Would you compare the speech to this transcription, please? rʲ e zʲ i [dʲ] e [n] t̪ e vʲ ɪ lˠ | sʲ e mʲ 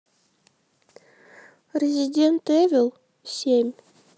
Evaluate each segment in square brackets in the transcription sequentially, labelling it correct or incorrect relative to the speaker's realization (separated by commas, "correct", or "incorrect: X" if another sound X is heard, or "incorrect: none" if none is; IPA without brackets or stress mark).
correct, correct